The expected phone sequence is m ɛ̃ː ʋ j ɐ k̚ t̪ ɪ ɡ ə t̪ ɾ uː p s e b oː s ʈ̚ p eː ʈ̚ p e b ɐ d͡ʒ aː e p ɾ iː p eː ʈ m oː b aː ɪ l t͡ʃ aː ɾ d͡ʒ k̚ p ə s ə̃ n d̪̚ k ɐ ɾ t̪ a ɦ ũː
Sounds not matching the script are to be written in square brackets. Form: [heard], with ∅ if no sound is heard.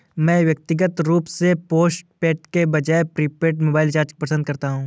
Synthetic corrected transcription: m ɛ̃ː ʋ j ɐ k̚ t̪ ɪ ɡ ə t̪ ɾ uː p s e [p] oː s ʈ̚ p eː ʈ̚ [k] e b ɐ d͡ʒ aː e p ɾ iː p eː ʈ m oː b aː ɪ l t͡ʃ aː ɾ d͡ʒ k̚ p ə s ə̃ n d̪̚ k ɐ ɾ t̪ a ɦ ũː